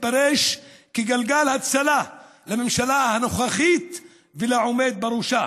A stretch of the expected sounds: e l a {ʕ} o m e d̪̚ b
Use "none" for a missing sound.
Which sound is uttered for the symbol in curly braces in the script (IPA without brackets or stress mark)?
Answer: ʕ